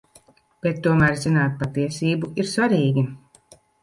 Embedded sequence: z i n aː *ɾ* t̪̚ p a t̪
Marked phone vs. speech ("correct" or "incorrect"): incorrect